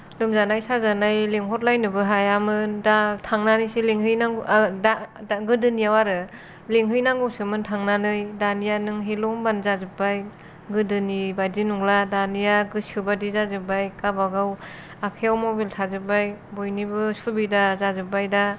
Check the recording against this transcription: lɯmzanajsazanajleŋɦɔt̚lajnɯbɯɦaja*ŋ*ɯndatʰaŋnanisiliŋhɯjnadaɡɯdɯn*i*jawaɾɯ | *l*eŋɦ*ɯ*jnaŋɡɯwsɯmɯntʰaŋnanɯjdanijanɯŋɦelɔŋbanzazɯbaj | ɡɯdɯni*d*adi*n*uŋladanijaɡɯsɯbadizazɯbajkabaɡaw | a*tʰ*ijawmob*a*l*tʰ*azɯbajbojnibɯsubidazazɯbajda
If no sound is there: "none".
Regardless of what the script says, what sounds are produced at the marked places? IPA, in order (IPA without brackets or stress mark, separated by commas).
m, i, l, ɯ, b, n, kʰ, i, tʰ